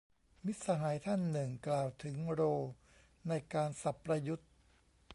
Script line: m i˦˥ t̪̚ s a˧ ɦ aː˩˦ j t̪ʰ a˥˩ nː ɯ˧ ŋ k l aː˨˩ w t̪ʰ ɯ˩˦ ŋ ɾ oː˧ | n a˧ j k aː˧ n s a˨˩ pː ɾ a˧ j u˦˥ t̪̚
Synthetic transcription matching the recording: m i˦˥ t̪̚ s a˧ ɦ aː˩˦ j t̪ʰ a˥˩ nː ɯ˨˩ ŋ k l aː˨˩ w t̪ʰ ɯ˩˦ ŋ ɾ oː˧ | n a˧ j k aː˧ n s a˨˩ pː ɾ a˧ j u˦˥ t̪̚